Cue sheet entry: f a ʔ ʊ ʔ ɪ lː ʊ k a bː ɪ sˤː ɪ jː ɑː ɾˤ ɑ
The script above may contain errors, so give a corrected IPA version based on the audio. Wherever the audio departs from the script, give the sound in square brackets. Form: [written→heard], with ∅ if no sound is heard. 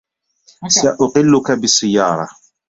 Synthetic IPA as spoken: [f→s] a ʔ ʊ [ʔ→q] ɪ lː ʊ k a [bː→b] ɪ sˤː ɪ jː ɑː ɾˤ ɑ